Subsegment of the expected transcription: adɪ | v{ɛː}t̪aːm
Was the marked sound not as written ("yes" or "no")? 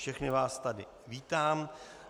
yes